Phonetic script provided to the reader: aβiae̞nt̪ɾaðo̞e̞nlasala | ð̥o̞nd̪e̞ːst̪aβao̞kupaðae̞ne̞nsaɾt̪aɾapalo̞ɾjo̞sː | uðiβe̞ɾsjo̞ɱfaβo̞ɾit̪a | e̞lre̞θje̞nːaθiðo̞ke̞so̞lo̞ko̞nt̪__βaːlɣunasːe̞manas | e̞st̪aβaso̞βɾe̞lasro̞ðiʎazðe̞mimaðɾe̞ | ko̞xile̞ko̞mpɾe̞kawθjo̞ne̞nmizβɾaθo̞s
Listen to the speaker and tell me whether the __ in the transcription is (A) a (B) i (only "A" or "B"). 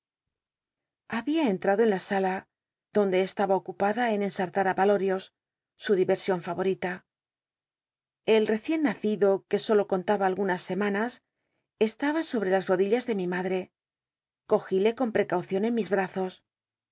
A